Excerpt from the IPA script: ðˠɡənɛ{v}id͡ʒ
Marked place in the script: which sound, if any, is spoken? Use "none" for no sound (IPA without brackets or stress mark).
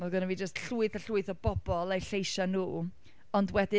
v